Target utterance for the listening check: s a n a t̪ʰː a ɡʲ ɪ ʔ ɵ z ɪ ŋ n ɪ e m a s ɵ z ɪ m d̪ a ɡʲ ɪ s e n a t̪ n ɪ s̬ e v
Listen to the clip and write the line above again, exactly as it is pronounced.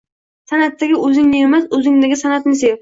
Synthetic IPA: s a n a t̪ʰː a ɡʲ ɪ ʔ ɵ z ɪ ŋ n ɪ e m a s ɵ z ɪ ŋ d̪ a ɡʲ ɪ s a n a t̪ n ɪ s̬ e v